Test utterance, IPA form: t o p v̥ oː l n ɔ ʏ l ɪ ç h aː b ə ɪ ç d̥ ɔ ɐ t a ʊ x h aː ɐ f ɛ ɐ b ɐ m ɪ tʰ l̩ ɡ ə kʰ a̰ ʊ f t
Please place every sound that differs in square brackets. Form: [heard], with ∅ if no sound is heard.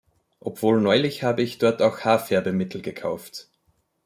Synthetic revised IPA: [ʔ] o p v̥ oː l n ɔ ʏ l ɪ ç h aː b ə ɪ ç d̥ ɔ ɐ t a ʊ x h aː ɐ f ɛ ɐ b [ə] m ɪ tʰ l̩ ɡ ə kʰ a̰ ʊ f t